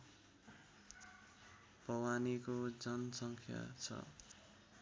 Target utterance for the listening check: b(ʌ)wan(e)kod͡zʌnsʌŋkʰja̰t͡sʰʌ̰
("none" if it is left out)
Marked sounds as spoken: ʌ, i

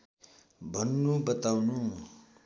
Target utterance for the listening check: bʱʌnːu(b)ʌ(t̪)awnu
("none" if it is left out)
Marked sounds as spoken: b, t̪

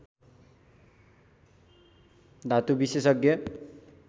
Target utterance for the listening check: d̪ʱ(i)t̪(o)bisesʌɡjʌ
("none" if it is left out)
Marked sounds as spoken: a, u

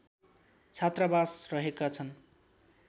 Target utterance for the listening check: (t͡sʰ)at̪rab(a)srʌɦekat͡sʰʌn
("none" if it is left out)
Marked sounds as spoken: t͡sʰ, a

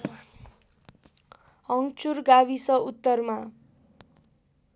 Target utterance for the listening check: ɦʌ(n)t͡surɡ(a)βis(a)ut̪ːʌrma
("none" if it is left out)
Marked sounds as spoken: ŋ, a, ʌ

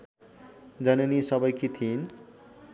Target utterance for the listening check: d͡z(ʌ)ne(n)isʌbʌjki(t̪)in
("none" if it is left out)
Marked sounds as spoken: ʌ, n, t̪ʰ

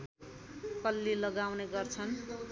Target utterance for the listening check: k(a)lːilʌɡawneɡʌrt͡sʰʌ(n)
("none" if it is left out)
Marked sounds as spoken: ʌ, n

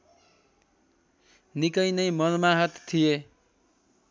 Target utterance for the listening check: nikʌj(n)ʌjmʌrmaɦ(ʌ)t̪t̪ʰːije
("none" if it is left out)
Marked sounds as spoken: n, ʌ

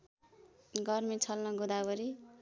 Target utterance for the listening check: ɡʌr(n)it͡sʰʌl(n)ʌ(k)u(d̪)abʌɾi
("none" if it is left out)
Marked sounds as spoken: m, n, ɡ, d̪

